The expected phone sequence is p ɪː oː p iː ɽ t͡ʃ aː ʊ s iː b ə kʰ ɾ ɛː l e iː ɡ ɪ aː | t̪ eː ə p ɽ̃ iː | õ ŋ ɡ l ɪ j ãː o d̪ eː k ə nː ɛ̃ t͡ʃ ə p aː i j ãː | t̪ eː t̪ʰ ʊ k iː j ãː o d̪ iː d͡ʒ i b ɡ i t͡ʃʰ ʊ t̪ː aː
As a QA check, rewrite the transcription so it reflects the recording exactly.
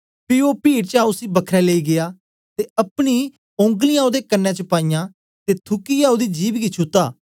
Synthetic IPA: p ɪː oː p iː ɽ t͡ʃ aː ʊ s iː b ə kʰ ɾ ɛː l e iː ɡ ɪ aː | t̪ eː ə p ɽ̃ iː | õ ŋ ɡ l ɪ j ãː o d̪ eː k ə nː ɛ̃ t͡ʃ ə p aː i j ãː | t̪ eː t̪ʰ ʊ k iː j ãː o d̪ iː d͡ʒ iː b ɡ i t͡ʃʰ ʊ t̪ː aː